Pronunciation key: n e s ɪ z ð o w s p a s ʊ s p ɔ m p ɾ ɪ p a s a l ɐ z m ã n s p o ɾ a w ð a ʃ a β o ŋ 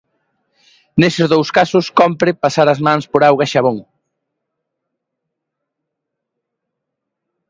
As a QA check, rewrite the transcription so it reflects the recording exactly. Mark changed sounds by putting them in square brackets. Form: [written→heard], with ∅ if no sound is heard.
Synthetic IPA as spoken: n e s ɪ z ð o w s [p→k] a s ʊ s [p→k] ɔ m p ɾ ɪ p a s a [l→ɾ] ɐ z m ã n s p o ɾ a w [ð→ɣ] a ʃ a β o ŋ